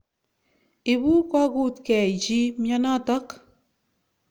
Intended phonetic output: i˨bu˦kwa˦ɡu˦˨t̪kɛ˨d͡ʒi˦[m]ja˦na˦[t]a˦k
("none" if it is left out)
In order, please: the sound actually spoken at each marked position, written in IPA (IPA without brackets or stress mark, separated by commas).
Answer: m, t